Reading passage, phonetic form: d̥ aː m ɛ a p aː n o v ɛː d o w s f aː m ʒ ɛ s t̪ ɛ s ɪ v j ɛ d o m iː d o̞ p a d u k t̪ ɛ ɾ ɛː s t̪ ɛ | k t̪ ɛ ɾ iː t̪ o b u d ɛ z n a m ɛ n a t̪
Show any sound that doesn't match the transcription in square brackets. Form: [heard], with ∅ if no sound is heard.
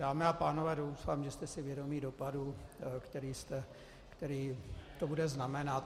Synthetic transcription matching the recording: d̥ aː m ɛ a p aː n o v ɛː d o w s f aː m ʒ ɛ s t̪ ɛ s ɪ v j ɛ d o m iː d o̞ p a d u k t̪ ɛ ɾ [iː] s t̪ ɛ | k t̪ ɛ ɾ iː t̪ o b u d ɛ z n a m ɛ n a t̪